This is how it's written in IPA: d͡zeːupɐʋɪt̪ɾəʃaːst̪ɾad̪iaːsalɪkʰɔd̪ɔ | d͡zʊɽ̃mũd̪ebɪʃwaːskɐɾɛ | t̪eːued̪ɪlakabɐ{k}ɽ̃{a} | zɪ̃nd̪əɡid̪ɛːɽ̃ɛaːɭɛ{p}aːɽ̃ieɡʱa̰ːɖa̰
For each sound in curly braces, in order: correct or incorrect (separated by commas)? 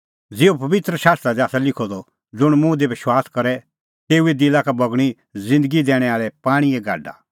incorrect, incorrect, correct